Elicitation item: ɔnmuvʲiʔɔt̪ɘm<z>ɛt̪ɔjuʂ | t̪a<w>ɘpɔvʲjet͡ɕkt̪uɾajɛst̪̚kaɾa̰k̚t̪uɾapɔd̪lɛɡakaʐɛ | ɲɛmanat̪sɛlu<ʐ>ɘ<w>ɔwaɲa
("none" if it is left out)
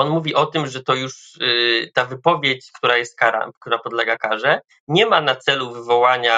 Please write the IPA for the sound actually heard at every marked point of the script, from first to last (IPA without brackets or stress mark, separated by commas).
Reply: ʐ, v, v, v